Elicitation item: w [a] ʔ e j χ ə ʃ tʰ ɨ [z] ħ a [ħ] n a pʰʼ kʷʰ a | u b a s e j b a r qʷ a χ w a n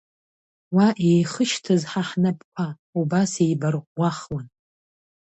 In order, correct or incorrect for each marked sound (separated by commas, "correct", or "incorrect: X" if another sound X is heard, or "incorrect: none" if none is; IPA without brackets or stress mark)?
correct, correct, correct